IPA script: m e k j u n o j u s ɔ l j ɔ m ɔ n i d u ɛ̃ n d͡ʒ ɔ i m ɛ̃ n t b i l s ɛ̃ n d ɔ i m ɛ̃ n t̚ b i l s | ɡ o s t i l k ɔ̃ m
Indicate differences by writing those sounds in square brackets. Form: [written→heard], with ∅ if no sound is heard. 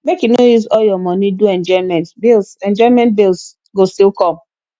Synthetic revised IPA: m e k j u n o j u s ɔ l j ɔ m ɔ n i d u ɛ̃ n d͡ʒ ɔ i m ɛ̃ n t b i l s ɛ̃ n [d→d͡ʒ] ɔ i m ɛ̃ n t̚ b i l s | ɡ o s t i l k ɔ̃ m